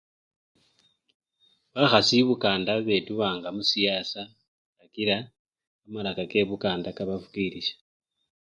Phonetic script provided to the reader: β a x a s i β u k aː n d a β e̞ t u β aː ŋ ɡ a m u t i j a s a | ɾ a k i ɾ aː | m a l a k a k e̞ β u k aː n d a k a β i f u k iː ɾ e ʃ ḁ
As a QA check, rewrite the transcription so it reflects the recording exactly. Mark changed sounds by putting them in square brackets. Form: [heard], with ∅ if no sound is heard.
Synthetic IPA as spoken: β a x a s i β u k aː n d a β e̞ t u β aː ŋ ɡ a m u [s] i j a s a | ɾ a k i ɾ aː | m a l a k a k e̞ β u k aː n d a k a β [a] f u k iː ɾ [i] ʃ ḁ